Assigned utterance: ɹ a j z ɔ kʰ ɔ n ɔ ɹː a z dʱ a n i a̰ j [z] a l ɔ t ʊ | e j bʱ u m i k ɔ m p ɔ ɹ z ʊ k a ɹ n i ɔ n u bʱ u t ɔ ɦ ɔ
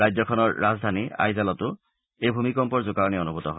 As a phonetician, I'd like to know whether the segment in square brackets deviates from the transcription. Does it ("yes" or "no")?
no